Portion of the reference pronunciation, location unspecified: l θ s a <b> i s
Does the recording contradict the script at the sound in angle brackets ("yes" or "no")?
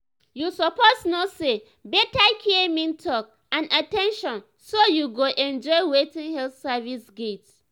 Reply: yes